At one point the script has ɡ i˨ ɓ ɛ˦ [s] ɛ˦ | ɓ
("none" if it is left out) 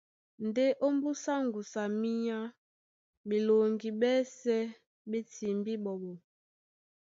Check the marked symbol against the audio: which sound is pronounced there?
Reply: s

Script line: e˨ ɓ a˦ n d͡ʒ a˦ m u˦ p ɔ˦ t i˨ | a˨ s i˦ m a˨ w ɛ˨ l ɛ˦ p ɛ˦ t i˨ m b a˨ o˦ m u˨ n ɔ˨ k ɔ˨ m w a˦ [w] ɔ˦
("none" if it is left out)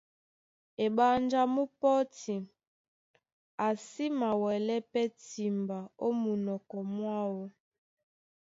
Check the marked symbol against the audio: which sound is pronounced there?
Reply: w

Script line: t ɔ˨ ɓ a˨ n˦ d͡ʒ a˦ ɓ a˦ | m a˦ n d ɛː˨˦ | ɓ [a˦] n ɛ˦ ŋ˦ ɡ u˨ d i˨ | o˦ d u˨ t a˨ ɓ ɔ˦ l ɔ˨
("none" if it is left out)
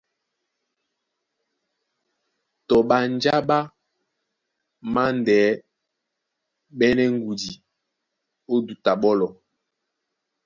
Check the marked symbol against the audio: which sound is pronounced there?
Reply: ɛ˦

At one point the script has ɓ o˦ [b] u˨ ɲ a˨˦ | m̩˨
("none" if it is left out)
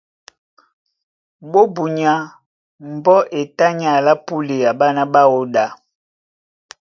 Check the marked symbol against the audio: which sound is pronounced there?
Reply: b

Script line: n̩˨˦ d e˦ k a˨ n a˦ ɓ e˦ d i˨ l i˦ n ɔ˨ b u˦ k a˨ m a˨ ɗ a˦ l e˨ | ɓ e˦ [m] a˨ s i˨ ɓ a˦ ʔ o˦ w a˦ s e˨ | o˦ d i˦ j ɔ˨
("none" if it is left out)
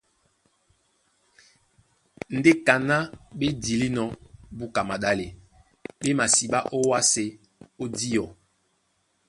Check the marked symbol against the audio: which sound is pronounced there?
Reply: m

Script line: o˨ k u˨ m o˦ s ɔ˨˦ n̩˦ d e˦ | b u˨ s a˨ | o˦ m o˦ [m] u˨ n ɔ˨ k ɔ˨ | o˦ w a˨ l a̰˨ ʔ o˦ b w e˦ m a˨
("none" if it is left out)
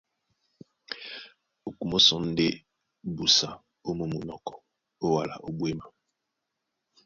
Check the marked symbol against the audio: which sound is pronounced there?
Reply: m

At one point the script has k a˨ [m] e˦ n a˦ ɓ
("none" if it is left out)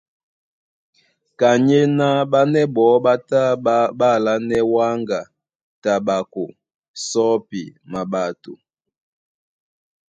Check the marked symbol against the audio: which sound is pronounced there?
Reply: ɲ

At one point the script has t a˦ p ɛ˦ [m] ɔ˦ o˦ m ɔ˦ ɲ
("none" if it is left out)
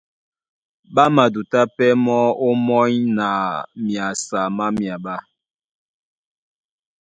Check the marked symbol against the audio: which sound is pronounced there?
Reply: m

